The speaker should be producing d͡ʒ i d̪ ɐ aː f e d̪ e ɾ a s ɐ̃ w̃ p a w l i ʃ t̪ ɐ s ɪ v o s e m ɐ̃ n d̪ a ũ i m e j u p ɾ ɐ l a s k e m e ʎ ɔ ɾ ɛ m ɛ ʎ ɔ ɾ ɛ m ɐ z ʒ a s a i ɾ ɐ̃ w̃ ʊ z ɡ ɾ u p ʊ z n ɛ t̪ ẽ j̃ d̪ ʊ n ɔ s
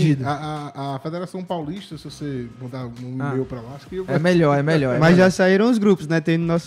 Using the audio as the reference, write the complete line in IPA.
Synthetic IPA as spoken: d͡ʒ i d̪ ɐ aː f e d̪ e ɾ a s ɐ̃ w̃ p a w l i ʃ t̪ ɐ s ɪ v o s e m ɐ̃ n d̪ a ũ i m e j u p ɾ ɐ l a s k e m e ʎ ɔ ɾ ɛ m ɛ ʎ ɔ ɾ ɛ m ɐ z ʒ a s a i ɾ ɐ̃ w̃ ʊ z ɡ ɾ u p ʊ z n ɛ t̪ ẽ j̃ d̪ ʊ n ɔ s